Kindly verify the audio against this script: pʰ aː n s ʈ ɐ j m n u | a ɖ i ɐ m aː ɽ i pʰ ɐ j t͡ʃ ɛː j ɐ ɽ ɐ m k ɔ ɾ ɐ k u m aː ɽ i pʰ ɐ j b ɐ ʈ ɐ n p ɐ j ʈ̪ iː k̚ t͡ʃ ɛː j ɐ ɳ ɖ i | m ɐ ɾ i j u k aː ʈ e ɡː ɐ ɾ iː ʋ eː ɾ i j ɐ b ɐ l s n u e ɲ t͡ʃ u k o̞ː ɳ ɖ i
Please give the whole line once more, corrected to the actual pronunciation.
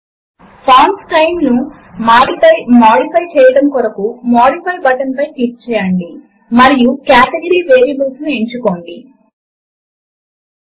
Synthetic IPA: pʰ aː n s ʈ ɐ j m n u | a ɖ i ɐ m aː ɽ i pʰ ɐ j t͡ʃ ɛː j ɐ ɽ ɐ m k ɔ ɾ ɐ k u m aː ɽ i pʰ ɐ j b ɐ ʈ ɐ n p ɐ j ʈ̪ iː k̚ t͡ʃ ɛː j ɐ ɳ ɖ i | m ɐ ɾ i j u k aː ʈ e ɡ ɐ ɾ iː ʋ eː ɾ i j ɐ b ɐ l s n u e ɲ t͡ʃ u k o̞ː ɳ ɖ i